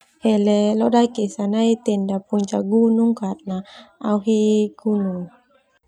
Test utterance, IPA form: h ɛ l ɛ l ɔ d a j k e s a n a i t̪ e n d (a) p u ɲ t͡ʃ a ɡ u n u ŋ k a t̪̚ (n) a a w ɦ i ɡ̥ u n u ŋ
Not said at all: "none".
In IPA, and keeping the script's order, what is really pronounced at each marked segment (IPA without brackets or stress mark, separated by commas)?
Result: a, n